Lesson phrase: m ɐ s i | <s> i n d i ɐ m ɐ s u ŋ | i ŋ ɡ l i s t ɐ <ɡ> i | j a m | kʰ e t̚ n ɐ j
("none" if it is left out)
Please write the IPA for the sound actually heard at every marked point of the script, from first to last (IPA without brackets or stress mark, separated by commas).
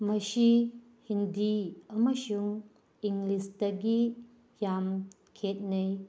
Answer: h, ɡ